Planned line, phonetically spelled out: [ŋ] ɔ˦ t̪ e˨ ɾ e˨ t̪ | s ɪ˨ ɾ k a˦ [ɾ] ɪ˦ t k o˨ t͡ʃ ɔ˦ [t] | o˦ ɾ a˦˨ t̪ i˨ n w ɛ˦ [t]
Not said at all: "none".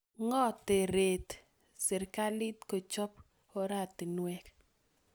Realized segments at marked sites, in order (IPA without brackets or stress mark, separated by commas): ŋ, l, p, k